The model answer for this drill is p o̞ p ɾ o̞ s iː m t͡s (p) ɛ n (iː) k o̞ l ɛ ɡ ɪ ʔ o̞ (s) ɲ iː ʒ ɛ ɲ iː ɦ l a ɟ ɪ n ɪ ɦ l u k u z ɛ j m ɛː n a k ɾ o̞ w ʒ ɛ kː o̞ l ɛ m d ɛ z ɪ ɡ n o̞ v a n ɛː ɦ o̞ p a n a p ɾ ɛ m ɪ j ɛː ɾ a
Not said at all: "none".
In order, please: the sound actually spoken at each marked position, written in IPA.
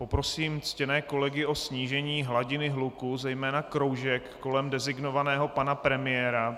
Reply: c, ɛː, s

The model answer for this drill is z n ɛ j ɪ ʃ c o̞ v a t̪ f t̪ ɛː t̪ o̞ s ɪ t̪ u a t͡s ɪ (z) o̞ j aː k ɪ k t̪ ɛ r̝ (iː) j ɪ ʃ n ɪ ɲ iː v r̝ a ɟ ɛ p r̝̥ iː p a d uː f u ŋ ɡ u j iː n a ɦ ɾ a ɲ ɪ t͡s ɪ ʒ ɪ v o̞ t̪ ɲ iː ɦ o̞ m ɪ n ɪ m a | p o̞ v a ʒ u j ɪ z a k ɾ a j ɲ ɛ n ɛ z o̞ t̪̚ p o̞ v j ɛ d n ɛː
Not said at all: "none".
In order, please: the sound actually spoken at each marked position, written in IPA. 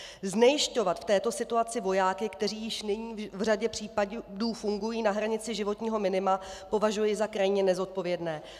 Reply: v, iː

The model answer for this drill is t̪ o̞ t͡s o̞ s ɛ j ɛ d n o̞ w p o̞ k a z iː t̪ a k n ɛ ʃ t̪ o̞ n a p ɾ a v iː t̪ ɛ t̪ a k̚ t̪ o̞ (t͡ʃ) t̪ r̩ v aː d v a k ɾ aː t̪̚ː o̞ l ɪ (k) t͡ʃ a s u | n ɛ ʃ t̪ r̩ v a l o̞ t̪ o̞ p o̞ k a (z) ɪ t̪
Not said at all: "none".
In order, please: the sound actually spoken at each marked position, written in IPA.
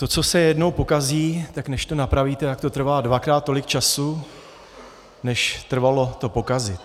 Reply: none, k, z

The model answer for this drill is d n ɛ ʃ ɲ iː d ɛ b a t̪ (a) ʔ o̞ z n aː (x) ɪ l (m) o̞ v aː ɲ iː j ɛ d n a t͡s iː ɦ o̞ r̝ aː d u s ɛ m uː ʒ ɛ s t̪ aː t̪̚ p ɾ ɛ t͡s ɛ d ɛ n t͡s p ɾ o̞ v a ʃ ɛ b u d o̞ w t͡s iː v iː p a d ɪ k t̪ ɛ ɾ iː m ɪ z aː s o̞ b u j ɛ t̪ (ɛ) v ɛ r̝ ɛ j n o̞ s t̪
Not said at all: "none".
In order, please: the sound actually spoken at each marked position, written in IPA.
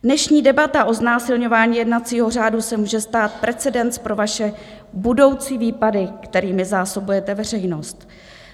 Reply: a, s, ɲ, ɛ

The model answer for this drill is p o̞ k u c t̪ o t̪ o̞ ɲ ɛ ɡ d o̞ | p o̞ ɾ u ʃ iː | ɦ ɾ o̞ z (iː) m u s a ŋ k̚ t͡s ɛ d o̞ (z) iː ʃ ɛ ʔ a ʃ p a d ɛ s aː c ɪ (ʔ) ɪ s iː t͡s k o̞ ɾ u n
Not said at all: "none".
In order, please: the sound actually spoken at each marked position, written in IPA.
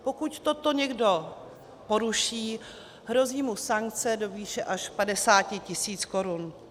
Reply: iː, v, c

